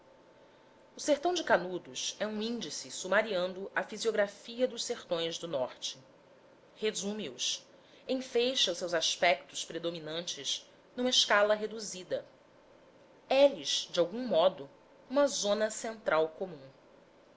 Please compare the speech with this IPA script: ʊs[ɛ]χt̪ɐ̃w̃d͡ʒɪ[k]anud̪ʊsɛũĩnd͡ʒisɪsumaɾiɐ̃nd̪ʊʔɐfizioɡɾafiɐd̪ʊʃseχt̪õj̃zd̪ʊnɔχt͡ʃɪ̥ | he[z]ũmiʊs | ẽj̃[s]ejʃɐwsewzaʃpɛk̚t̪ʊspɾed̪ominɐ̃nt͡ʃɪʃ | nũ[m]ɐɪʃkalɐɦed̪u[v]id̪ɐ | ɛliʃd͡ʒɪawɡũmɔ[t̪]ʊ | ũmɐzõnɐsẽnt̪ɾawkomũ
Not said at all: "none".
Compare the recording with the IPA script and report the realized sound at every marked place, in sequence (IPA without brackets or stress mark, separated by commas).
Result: e, k, z, f, m, z, d̪